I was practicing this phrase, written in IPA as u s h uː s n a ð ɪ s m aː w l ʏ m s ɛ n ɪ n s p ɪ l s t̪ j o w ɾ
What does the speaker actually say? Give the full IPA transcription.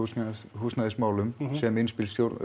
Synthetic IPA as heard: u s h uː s n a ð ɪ s m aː w l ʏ m s ɛ m ɪ n s p ɪ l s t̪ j o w ɾ